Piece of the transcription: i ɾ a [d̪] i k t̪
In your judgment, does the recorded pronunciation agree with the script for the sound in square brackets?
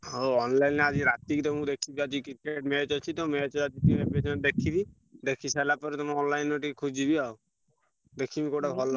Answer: no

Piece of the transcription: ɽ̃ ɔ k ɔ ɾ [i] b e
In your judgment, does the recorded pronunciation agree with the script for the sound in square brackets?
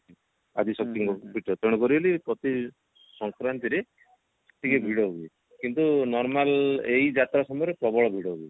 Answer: yes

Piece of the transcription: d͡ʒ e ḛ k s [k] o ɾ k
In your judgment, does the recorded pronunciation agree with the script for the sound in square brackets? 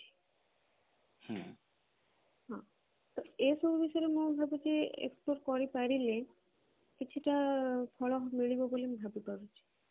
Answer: no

